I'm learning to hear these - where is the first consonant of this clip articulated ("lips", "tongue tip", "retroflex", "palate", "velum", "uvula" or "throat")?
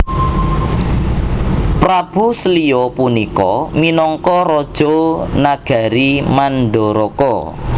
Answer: lips